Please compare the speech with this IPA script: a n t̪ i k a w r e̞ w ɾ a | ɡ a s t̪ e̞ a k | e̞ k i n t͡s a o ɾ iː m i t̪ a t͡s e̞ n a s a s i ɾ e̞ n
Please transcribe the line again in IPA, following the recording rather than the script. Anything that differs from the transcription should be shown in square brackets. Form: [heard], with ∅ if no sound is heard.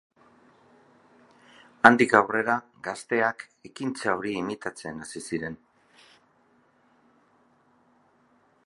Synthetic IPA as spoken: a n [d̪] i k a w r e̞ [∅] ɾ a | ɡ a s t̪ e̞ a k | e̞ k i n t͡s a o ɾ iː m i t̪ a t͡s e̞ n a s [i] s i ɾ e̞ n